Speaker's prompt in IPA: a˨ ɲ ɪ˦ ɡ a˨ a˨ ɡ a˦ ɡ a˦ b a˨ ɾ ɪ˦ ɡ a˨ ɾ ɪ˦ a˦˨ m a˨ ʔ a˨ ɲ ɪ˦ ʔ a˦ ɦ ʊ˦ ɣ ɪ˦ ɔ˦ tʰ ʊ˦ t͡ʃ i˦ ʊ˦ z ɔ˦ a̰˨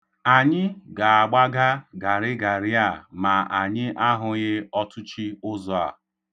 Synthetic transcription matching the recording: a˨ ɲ ɪ˦ ɡ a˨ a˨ ɡ͡b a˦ ɡ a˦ ɡ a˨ ɾ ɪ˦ ɡ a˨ ɾ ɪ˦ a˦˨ m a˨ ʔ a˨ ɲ ɪ˦ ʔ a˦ ɦ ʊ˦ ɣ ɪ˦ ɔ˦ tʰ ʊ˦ t͡ʃ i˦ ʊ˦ z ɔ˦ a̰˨